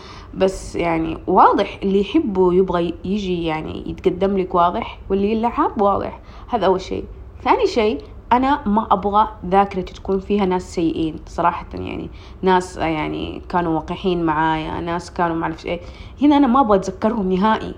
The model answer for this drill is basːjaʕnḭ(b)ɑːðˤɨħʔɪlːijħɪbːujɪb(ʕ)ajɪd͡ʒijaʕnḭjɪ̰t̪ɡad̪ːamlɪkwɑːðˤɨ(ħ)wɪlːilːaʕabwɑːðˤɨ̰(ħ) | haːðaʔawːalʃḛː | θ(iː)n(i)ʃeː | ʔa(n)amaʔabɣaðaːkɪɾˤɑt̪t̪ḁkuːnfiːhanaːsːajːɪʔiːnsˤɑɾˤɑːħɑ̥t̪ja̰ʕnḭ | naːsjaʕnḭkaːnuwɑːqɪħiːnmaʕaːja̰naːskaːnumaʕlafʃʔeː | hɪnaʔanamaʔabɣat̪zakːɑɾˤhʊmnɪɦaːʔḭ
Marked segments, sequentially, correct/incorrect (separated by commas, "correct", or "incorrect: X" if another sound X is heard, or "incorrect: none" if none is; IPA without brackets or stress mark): incorrect: w, incorrect: ɣ, correct, correct, incorrect: aː, correct, correct